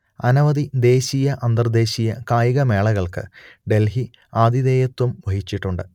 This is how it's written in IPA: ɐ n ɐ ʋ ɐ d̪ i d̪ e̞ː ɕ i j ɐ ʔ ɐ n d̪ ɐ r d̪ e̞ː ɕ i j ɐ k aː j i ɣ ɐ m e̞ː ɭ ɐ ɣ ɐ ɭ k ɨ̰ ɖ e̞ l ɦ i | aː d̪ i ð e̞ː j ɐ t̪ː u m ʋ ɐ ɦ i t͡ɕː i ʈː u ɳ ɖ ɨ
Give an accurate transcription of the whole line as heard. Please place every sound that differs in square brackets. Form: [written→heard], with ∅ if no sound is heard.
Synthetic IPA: ɐ n ɐ ʋ ɐ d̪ i d̪ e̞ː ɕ i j ɐ ʔ ɐ n d̪ ɐ r d̪ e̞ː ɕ i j ɐ k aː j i ɣ ɐ m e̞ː ɭ ɐ ɣ ɐ ɭ k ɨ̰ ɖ e̞ l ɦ i | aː d̪ i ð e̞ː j ɐ t̪ː u m ʋ ɐ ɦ i t͡ɕː i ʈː u ɳ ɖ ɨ